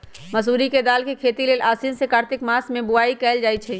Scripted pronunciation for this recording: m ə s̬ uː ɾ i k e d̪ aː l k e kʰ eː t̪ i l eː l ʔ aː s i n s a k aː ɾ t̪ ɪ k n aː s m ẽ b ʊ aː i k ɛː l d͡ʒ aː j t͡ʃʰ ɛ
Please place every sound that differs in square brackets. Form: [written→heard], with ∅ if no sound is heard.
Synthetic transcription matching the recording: m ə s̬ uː ɾ i k e d̪ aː l k e kʰ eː t̪ i l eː l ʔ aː s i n s [a→e] k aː ɾ t̪ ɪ k [n→m] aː s m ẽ b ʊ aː i k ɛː l d͡ʒ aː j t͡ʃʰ ɛ